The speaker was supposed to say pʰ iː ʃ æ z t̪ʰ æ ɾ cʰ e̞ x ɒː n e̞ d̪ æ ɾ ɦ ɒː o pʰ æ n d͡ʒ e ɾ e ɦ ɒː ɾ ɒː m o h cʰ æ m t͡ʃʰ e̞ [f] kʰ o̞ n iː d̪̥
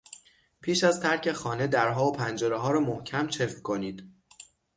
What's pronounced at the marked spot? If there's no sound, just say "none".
f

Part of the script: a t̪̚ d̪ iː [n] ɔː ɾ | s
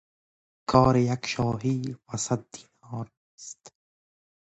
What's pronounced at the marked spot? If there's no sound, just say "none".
n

